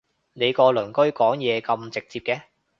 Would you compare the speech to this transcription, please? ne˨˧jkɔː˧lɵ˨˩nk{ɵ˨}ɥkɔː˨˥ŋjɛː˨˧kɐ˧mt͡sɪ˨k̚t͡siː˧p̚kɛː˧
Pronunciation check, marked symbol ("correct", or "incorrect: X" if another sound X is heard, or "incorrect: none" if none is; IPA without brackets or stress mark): incorrect: ɵ˥